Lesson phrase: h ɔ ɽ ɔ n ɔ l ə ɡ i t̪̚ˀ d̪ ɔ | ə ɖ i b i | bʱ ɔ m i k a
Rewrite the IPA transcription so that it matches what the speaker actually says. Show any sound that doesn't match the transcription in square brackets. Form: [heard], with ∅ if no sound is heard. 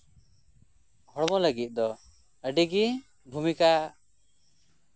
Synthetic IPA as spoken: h ɔ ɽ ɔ [m] ɔ l ə ɡ i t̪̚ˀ d̪ ɔ | ə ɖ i [ɡ] i | bʱ [u] m i k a